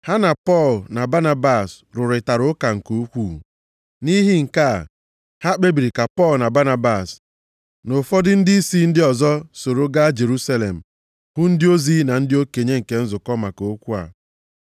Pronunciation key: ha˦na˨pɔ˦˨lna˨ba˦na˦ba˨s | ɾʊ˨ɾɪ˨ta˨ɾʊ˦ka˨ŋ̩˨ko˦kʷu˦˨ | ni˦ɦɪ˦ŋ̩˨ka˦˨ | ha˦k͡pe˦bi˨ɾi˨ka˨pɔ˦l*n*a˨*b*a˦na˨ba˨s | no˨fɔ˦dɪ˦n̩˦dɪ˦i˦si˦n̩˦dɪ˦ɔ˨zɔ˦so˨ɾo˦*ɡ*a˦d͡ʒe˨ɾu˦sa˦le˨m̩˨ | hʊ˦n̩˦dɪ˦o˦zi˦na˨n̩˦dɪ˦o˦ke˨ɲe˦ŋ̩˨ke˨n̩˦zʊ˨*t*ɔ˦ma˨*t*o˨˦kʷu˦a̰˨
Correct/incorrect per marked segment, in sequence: correct, correct, correct, incorrect: k, incorrect: k

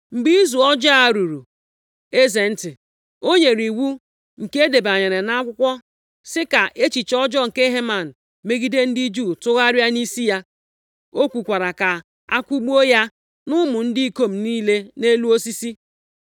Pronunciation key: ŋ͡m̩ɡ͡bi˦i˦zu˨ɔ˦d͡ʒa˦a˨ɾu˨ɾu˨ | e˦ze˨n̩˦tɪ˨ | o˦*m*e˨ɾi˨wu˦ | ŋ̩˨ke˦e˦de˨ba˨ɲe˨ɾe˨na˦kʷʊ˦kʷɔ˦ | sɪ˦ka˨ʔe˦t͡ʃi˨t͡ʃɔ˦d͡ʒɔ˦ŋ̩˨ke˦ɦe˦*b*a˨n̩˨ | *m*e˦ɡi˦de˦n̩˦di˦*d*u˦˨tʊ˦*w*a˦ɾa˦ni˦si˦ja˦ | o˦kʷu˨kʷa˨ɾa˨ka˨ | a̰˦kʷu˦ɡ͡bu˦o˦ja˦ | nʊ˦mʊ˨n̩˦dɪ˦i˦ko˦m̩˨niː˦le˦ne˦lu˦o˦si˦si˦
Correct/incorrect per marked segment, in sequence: incorrect: ɲ, incorrect: m, correct, incorrect: d͡ʒ, incorrect: ɣ

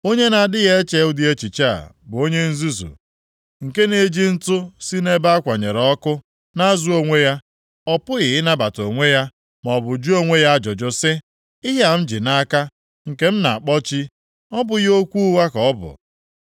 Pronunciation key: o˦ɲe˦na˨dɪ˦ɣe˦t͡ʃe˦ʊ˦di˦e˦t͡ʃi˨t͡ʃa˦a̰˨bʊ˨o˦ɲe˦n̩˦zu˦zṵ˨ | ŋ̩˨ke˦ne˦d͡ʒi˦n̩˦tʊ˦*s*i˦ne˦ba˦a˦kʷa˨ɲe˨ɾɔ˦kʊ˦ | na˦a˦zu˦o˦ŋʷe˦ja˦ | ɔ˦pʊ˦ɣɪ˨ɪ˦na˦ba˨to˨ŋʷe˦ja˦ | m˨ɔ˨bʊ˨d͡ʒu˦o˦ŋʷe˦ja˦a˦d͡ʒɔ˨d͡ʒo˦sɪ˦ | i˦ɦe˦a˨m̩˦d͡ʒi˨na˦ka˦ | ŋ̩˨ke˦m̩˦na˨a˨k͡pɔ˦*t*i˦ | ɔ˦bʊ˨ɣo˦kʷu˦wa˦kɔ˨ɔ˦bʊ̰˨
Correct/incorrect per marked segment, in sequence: correct, incorrect: t͡ʃ

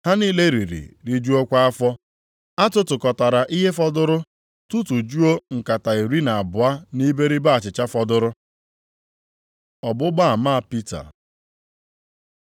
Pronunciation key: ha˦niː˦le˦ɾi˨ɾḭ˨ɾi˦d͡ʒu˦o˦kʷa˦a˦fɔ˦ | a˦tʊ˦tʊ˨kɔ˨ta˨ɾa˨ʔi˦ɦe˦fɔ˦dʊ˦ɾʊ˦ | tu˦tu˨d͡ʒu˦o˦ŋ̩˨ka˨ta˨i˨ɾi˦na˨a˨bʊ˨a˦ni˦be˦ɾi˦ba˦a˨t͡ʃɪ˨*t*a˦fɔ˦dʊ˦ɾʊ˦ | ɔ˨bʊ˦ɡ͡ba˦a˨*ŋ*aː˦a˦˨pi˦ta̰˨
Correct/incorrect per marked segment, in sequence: incorrect: t͡ʃ, incorrect: m

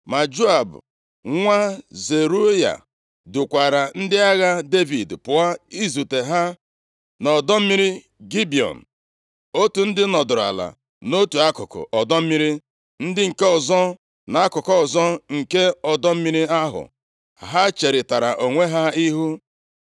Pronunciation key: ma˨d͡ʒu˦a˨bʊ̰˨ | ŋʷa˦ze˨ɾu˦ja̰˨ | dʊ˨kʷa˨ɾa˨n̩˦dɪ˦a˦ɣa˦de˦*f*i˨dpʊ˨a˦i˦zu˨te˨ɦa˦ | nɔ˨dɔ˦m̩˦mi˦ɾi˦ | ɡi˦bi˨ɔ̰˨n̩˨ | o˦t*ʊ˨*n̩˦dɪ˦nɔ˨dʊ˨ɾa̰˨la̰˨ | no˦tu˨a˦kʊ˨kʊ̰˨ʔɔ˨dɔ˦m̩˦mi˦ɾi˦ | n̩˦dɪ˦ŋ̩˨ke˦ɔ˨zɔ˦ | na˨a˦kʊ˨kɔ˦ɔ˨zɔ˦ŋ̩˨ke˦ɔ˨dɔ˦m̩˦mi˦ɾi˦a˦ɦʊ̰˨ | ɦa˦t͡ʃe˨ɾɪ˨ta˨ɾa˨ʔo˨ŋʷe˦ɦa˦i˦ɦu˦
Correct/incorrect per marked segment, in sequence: incorrect: v, incorrect: u˨

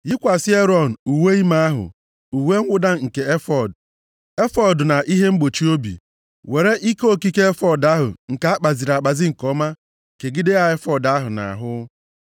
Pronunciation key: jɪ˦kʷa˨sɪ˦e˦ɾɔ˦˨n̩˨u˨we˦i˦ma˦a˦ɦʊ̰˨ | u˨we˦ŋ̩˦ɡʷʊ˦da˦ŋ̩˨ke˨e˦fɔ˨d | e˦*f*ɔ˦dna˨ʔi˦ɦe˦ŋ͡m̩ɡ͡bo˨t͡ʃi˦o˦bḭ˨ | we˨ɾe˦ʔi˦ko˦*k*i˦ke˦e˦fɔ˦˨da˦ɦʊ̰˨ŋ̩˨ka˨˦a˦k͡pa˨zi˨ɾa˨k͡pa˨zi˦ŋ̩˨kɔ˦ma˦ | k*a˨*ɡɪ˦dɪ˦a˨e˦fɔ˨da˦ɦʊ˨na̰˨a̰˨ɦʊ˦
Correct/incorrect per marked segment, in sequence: correct, correct, incorrect: e˨

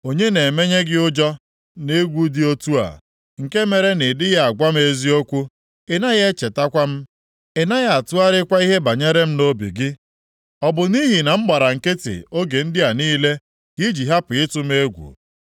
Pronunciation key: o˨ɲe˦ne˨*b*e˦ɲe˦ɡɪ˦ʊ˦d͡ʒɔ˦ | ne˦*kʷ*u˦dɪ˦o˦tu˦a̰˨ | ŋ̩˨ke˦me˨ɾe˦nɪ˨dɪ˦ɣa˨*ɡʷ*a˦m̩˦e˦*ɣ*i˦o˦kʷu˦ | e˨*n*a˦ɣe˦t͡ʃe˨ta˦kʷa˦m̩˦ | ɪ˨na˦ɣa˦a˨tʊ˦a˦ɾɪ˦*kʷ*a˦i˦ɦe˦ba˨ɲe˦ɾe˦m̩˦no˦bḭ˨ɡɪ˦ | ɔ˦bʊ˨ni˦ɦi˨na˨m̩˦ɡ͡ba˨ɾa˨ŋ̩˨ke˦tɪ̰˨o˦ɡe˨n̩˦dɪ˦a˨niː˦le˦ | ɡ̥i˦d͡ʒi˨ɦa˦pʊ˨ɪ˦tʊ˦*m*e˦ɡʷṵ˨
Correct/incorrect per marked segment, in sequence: incorrect: m, incorrect: ɡʷ, correct, incorrect: z, correct, correct, correct

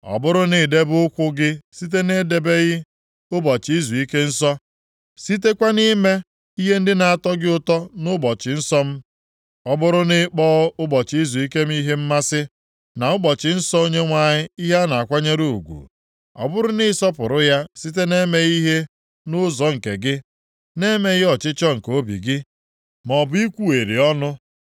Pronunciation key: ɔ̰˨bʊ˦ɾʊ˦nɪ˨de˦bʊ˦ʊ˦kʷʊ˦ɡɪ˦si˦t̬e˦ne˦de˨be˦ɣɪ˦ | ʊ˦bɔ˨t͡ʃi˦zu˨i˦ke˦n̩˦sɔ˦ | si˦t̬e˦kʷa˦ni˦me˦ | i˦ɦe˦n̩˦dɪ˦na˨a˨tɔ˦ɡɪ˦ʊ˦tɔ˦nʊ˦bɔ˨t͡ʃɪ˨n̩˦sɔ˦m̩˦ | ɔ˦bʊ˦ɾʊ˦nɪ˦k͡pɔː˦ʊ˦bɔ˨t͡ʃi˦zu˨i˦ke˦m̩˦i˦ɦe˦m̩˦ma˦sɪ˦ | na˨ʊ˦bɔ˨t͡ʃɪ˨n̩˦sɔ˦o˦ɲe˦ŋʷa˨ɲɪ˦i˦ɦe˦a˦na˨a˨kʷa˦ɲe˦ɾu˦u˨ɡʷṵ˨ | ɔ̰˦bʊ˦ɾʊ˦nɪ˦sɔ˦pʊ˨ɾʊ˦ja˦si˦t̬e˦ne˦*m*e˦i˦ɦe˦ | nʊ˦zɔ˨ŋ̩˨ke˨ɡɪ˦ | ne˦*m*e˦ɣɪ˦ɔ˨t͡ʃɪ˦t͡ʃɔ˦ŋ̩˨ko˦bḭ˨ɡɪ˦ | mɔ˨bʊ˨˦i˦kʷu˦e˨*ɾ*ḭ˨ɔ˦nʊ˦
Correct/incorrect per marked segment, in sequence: correct, correct, correct

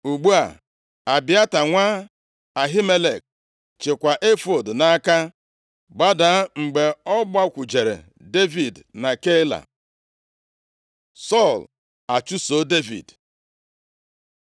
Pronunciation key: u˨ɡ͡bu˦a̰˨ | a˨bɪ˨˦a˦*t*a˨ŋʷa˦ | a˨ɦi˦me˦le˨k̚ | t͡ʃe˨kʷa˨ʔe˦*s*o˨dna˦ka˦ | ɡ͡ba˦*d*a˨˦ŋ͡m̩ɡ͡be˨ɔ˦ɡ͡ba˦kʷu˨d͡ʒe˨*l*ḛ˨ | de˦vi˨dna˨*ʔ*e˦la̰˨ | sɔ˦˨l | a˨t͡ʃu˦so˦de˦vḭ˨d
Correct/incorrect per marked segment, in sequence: correct, incorrect: f, correct, incorrect: ɾ, incorrect: k

